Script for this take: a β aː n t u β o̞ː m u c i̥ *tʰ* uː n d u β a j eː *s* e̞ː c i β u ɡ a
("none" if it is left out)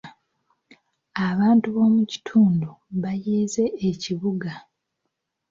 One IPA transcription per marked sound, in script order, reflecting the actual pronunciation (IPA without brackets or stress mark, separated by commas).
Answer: tʰ, z